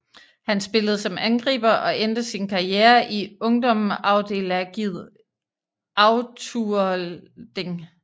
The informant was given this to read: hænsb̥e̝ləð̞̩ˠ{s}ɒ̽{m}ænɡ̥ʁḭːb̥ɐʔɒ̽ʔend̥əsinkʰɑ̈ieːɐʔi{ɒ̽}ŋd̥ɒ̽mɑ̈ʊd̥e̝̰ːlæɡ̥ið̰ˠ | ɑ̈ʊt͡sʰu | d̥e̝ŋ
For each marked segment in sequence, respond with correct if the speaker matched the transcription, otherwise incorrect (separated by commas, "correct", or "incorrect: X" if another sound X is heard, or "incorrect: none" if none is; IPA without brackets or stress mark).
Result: correct, correct, incorrect: ɔ̽